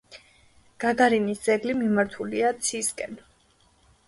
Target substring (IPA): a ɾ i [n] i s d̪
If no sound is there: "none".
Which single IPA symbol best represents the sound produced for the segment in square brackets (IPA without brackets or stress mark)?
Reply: n